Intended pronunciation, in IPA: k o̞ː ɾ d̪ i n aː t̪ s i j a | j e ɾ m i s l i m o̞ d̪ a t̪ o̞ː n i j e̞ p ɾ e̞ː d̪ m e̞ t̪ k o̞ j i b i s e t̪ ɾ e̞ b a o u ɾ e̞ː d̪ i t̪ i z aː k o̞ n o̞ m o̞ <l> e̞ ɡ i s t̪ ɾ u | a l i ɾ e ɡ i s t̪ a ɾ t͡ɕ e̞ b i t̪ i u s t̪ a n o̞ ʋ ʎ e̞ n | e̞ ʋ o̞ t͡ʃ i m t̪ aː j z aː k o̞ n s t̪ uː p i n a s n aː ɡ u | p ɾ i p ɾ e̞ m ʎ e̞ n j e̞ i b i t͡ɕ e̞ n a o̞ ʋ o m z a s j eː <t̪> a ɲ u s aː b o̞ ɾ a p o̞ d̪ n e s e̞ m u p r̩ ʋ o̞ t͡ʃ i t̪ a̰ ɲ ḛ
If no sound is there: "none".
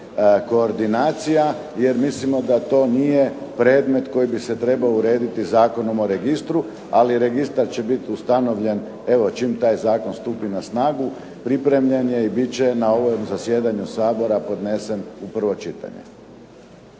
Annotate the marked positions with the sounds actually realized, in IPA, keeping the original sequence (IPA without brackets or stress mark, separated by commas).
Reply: ɾ, d̪